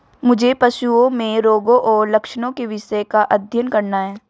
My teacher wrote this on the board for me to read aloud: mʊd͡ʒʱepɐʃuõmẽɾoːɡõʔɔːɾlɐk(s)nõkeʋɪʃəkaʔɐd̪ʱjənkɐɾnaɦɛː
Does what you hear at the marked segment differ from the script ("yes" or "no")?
yes